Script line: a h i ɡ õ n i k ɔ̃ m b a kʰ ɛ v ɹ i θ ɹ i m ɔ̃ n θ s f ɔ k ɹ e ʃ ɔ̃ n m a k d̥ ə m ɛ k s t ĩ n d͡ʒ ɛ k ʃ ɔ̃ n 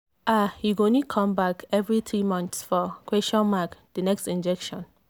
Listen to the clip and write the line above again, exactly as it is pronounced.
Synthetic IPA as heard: a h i ɡ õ n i kʰ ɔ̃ m b a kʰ ɛ v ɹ i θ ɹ i m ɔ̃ n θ s f ɔ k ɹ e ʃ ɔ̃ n m a k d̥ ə n ɛ k s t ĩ n d͡ʒ ɛ k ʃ ɔ̃ n